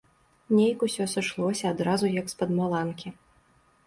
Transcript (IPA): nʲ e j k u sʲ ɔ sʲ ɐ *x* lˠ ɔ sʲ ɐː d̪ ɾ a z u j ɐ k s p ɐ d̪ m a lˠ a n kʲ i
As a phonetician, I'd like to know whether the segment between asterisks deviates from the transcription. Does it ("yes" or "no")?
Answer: yes